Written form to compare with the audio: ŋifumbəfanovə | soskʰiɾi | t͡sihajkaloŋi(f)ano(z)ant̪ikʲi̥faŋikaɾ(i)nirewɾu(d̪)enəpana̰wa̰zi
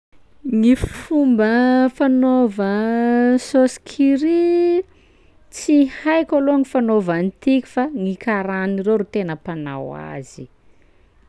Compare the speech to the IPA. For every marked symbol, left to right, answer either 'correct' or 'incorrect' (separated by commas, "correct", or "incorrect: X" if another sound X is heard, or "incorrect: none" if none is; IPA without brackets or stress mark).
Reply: correct, incorrect: v, incorrect: a, incorrect: t̪